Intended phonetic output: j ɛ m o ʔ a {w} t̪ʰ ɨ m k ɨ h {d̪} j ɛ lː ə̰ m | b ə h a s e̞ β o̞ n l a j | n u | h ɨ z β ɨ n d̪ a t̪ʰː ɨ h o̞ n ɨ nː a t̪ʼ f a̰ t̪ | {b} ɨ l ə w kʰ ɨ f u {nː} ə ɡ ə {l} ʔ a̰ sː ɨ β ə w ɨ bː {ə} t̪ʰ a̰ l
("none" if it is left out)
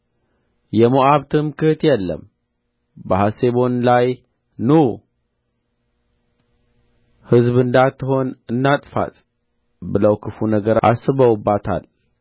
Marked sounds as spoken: β, t̪, b, n, ɾ, a

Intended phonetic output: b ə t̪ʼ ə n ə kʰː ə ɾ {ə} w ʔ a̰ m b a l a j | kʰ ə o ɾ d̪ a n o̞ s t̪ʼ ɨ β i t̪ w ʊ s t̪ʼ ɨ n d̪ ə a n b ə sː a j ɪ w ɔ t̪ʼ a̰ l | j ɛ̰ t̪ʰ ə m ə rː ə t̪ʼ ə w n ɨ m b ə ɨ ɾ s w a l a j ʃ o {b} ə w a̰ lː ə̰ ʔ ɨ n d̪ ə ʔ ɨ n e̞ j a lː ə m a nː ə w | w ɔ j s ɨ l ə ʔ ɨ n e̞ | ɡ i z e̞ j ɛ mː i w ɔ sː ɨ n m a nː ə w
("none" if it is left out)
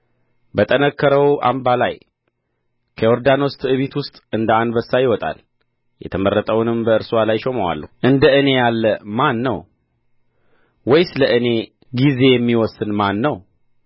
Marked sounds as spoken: ə, m

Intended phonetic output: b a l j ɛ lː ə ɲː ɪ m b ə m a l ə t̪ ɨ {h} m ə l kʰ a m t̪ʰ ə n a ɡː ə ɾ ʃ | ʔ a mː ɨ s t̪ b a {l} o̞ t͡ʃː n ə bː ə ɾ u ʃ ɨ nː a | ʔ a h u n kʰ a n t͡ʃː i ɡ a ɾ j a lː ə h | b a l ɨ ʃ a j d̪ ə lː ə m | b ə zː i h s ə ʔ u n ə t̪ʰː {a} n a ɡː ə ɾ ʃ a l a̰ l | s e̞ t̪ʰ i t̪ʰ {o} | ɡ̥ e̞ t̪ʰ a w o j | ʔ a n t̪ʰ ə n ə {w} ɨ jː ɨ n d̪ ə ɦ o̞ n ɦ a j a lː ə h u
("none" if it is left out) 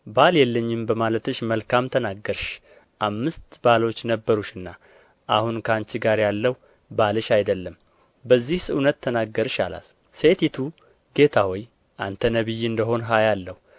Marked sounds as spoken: ʃ, l, ə, u, β

